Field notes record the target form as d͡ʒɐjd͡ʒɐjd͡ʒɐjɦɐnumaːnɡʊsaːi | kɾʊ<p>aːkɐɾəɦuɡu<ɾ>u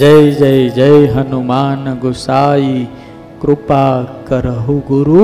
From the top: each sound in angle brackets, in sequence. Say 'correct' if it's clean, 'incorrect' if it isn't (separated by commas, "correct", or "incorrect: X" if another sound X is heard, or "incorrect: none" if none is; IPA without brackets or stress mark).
correct, correct